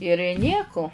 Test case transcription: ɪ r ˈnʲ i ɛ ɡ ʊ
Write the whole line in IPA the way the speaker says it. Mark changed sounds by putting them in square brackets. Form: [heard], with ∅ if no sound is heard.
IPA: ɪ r ˈnʲ i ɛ [k] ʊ